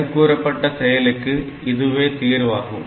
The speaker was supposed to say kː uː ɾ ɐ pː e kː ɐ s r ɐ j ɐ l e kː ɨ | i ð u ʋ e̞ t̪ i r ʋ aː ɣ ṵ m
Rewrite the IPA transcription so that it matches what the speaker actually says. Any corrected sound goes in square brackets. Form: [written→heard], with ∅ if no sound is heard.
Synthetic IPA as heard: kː uː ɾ ɐ pː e [kː→ʈː] ɐ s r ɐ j ɐ l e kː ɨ | i ð u ʋ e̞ t̪ [i→iː] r ʋ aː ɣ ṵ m